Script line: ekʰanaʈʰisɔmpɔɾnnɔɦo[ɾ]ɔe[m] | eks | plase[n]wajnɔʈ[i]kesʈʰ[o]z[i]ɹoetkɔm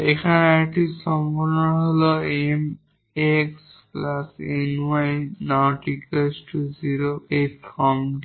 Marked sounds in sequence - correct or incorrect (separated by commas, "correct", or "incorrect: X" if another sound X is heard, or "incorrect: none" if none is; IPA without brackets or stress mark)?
incorrect: l, correct, correct, correct, incorrect: u, correct